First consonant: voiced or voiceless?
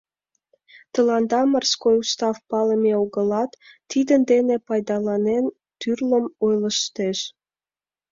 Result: voiceless